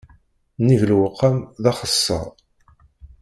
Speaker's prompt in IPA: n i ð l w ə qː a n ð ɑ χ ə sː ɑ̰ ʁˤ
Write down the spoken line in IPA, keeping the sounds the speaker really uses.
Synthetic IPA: n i v l w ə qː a m ð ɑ χ ə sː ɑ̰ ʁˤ